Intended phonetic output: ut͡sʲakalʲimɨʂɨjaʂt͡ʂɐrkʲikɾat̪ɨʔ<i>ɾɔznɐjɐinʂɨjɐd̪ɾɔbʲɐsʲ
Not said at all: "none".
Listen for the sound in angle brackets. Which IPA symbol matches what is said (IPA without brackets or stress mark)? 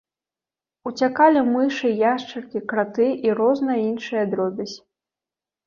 i